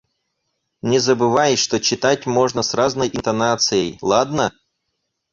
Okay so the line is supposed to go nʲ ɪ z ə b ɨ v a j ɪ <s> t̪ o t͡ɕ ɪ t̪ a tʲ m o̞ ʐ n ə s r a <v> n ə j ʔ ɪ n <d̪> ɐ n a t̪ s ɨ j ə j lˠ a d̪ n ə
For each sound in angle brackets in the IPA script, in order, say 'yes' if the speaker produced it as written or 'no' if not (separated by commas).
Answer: no, no, no